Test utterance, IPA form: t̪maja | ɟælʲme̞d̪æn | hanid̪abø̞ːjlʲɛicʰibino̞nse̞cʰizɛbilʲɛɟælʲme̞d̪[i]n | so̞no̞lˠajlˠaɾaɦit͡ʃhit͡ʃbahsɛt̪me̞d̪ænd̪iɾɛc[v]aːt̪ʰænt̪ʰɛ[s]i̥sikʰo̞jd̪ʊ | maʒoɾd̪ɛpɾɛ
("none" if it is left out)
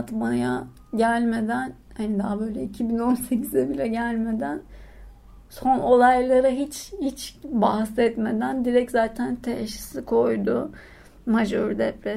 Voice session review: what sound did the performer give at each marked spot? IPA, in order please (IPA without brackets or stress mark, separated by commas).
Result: æ, z, ʃ